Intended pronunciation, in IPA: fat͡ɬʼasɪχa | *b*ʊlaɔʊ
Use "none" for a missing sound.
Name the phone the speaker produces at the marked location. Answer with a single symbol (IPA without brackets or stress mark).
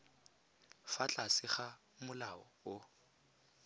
m